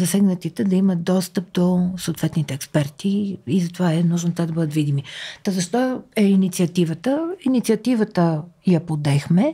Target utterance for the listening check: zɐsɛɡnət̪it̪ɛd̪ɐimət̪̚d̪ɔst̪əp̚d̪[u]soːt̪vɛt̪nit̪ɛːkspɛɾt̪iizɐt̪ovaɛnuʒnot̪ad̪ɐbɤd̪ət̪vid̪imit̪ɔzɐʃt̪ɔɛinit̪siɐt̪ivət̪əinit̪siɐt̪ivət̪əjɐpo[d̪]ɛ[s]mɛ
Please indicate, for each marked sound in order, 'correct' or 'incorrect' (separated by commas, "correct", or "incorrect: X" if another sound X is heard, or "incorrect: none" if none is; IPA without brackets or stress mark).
incorrect: o, correct, incorrect: x